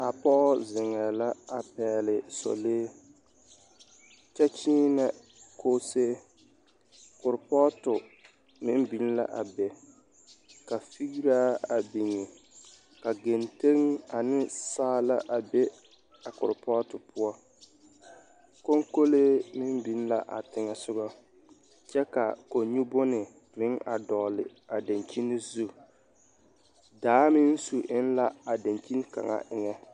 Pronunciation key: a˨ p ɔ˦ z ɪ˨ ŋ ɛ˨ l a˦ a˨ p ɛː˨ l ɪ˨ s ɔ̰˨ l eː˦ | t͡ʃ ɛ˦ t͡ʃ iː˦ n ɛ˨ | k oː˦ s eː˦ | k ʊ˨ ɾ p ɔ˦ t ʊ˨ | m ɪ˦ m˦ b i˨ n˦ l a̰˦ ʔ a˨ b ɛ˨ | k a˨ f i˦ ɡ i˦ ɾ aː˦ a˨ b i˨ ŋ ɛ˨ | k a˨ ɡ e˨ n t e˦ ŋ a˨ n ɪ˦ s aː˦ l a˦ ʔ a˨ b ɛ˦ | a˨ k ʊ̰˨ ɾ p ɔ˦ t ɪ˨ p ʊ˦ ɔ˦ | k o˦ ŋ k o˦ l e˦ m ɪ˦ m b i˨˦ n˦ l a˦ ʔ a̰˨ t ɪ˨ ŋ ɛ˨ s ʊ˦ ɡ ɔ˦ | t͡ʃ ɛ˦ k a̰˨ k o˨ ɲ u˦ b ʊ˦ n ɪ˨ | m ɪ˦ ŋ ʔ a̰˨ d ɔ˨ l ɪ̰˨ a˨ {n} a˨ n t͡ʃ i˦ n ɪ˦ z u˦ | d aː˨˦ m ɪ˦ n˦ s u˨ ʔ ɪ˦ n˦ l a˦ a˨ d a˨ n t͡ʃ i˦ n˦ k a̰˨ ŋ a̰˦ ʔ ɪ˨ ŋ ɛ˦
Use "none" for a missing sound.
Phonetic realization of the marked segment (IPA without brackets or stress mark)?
d